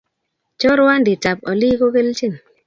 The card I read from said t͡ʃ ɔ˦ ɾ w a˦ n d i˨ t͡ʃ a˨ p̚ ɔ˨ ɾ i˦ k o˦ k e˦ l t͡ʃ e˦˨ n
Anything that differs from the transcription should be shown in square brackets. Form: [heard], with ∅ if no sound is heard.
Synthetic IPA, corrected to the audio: t͡ʃ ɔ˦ ɾ w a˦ n d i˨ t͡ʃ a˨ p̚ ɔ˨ [l] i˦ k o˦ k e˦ l t͡ʃ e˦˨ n